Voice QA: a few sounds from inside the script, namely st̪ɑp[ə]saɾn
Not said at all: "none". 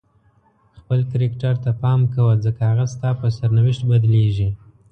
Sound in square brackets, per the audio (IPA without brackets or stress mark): ə